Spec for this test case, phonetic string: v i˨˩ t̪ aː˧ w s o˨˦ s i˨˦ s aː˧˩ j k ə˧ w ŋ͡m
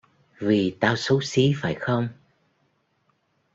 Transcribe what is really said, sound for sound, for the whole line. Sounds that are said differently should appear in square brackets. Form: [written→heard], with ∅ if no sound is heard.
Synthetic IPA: v i˨˩ t̪ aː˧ w s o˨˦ s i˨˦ [s→f] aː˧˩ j [k→x] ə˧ w ŋ͡m

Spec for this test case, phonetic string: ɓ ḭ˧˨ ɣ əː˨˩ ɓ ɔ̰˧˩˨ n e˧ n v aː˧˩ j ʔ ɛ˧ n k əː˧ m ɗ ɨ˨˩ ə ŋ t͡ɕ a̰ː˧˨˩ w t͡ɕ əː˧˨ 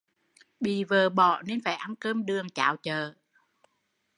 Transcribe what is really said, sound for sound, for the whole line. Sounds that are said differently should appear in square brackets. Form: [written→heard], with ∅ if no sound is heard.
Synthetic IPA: ɓ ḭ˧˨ [ɣ→v] əː˨˩ ɓ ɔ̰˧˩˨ n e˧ n [v→f] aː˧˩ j ʔ [ɛ˧→a˧] n k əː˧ m ɗ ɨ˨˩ ə ŋ t͡ɕ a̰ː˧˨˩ w t͡ɕ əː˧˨

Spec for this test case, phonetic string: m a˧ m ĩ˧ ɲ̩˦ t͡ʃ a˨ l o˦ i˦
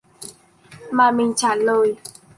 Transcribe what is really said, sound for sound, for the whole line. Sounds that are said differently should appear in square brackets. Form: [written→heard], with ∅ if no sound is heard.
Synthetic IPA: m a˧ m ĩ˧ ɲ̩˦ t͡ʃ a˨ l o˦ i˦

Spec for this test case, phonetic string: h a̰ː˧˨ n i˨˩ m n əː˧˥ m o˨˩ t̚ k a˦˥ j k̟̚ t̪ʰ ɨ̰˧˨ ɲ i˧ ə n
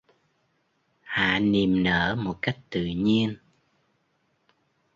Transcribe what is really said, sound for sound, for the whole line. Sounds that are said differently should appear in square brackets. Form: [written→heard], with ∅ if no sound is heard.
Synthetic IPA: h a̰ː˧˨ n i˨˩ m n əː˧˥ m o˨˩ t̚ k a˦˥ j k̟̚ [t̪ʰ→t̪] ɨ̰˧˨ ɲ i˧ ə n

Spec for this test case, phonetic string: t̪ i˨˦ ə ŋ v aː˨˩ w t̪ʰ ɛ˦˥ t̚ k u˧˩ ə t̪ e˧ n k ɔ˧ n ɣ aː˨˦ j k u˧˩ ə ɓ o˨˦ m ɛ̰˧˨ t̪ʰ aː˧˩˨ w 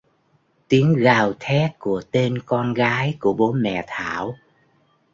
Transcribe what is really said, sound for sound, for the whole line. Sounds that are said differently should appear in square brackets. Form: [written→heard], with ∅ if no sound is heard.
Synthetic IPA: t̪ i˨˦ ə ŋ [v→ɣ] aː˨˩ w t̪ʰ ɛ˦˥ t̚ k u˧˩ ə t̪ e˧ n k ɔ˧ n ɣ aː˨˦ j k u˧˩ ə ɓ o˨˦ m ɛ̰˧˨ t̪ʰ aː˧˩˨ w

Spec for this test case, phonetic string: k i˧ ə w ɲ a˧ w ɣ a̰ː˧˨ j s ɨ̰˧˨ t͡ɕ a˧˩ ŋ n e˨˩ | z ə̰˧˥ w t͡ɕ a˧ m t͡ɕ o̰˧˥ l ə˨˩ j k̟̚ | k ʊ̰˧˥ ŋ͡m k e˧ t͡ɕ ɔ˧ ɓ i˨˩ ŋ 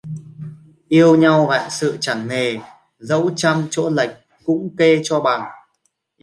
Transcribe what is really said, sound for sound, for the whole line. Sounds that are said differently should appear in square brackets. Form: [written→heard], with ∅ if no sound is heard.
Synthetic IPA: [k→ʔ] i˧ ə w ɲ a˧ w ɣ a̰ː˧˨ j s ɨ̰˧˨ t͡ɕ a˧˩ ŋ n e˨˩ | z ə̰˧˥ w t͡ɕ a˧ m t͡ɕ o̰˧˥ l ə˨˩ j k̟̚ | k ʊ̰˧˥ ŋ͡m k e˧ t͡ɕ ɔ˧ ɓ [i˨˩→a˨˩] ŋ

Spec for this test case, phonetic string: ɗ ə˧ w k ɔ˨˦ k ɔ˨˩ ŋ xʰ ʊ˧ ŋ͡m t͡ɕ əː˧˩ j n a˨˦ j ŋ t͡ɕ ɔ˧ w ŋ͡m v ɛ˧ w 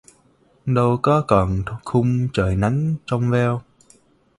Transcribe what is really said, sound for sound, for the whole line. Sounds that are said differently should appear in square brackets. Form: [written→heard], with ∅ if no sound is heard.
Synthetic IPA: ɗ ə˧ w k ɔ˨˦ k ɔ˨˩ [ŋ→n] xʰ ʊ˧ ŋ͡m t͡ɕ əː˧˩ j n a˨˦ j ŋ t͡ɕ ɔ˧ w ŋ͡m v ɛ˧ w

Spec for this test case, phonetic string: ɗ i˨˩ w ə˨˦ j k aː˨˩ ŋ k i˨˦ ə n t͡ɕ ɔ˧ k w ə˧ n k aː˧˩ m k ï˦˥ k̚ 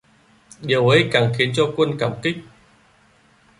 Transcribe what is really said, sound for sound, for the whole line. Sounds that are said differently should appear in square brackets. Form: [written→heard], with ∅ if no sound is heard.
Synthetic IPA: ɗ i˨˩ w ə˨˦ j k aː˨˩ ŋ [k→x] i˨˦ ə n t͡ɕ ɔ˧ k w ə˧ n k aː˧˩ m k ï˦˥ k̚

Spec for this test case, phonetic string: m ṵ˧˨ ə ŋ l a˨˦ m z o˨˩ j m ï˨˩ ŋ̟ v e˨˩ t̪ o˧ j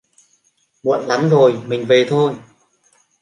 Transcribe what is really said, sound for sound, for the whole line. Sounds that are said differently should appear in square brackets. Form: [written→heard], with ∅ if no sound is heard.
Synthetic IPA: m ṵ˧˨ ə [ŋ→n] l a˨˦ m z o˨˩ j m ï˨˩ ŋ̟ v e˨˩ [t̪→t̪ʰ] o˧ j

